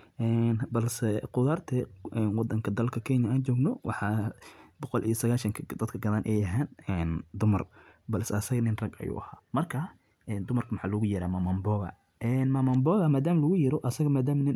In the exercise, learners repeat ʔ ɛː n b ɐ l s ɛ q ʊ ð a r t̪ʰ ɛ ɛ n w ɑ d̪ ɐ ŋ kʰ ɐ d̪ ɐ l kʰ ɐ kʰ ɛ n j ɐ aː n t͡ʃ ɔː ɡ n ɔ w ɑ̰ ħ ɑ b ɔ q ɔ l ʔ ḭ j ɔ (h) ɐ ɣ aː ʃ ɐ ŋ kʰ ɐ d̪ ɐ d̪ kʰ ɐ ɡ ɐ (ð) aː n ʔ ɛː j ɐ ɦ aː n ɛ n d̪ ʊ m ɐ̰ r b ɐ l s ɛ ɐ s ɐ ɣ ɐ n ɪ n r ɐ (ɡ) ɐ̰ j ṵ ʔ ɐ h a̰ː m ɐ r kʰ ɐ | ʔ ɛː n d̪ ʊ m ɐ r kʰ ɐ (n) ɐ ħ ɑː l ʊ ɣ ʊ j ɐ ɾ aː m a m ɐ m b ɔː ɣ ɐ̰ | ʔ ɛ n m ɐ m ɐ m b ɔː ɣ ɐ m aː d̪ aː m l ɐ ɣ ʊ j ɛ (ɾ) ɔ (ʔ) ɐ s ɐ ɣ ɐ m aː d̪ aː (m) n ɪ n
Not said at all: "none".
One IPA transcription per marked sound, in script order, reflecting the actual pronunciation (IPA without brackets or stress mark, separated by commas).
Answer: s, ð, ɡ, m, ɾ, ʔ, m